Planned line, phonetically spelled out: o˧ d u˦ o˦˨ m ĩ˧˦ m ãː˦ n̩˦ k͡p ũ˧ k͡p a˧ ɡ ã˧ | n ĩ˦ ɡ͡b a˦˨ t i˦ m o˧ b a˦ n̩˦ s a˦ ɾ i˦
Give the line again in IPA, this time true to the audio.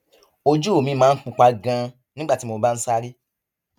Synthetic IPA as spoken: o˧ d͡ʒ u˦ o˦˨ m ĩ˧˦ m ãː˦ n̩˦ k͡p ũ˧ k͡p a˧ ɡ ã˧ | n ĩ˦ ɡ͡b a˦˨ t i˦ m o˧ b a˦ n̩˦ s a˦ ɾ i˦

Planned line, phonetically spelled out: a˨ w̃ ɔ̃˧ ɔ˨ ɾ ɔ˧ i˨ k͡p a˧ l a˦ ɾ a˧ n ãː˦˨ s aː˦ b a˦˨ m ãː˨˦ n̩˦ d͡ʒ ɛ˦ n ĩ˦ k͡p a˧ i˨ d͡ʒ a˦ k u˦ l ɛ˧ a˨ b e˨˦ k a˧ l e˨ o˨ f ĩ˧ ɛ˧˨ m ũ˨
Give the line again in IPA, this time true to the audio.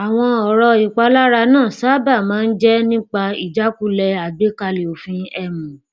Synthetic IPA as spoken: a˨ w̃ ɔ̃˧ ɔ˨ ɾ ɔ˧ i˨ k͡p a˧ l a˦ ɾ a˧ n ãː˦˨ s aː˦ b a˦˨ m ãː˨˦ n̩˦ d͡ʒ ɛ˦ n ĩ˦ k͡p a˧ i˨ d͡ʒ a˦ k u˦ l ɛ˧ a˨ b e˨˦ k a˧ l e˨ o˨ f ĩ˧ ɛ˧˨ m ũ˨

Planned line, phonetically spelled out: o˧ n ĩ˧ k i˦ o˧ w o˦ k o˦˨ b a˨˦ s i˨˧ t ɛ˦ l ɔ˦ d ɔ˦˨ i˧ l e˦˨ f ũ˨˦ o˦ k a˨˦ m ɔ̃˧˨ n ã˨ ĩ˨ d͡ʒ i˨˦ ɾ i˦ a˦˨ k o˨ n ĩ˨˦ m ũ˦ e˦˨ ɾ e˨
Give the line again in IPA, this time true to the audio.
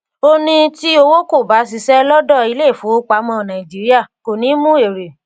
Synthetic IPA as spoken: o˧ n ĩ˧ t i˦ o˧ w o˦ k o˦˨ b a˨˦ s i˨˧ s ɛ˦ l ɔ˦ d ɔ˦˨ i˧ l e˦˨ f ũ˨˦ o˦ k͡p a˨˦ m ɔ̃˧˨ n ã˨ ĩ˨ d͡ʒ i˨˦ ɾ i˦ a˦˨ k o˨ n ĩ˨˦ m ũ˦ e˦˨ ɾ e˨

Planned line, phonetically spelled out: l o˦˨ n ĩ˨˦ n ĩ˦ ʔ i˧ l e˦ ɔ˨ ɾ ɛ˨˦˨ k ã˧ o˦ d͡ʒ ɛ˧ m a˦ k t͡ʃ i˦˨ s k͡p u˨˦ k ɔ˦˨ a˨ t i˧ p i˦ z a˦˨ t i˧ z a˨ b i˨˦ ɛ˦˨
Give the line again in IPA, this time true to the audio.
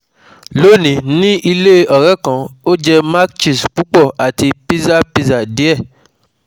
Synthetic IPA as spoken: l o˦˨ n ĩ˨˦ n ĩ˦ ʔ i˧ l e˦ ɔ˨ ɾ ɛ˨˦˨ k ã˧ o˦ d͡ʒ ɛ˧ m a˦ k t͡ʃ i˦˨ s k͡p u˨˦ k͡p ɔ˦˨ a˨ t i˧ p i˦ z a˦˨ p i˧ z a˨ d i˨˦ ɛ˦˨

